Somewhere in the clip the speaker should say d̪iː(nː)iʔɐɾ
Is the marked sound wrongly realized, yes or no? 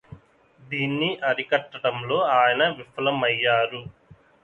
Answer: no